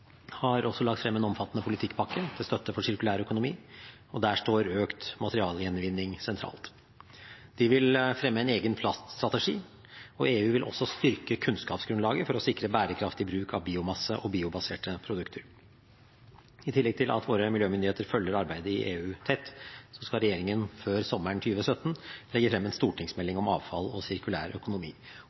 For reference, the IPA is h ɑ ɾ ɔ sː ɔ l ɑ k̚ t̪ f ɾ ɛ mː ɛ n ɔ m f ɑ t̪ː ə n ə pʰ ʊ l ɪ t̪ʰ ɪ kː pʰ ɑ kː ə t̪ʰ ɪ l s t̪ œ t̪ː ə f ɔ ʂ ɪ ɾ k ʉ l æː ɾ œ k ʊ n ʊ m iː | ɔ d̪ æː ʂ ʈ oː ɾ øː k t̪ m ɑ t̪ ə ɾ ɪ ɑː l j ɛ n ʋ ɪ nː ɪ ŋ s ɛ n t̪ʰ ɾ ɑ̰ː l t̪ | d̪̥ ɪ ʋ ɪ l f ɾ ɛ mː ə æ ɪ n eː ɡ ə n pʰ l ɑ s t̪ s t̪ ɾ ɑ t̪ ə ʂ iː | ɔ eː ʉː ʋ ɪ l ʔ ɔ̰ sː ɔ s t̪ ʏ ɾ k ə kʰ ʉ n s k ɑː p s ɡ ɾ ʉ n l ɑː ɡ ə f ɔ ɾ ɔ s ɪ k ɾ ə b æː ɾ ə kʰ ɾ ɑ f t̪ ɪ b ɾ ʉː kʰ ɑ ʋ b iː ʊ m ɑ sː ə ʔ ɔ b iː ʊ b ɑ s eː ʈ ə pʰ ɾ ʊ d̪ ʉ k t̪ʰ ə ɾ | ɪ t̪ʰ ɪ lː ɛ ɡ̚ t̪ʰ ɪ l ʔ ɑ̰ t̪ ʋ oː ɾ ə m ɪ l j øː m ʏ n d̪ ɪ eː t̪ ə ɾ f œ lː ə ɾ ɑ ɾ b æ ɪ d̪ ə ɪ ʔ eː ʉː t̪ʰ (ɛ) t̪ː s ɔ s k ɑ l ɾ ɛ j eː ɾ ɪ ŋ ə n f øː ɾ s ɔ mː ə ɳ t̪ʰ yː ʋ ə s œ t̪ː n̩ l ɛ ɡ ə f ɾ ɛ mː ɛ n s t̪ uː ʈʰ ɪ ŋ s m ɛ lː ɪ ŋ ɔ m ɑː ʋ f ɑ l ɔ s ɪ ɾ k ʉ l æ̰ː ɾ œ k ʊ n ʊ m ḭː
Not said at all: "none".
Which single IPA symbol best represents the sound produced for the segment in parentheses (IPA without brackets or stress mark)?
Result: ɛ